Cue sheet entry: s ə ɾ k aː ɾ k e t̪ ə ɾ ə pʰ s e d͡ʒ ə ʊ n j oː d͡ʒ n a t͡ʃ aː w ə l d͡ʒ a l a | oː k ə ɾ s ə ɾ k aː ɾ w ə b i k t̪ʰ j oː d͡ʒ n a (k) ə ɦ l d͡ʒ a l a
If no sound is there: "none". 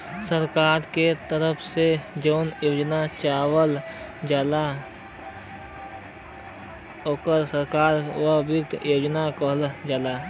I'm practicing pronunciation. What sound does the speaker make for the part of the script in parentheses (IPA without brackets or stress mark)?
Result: k